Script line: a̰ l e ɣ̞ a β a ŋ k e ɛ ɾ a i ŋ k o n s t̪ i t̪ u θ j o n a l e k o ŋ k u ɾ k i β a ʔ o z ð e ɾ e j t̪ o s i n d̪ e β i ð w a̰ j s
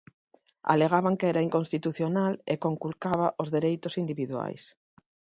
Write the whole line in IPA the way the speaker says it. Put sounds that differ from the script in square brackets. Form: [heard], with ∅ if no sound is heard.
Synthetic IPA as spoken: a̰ l e ɣ̞ a β a ŋ k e ɛ ɾ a i ŋ k o n s t̪ i t̪ u θ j o n a l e k o ŋ k u [l] k [a] β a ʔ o z ð e ɾ e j t̪ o s i n d̪ [i] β i ð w a̰ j s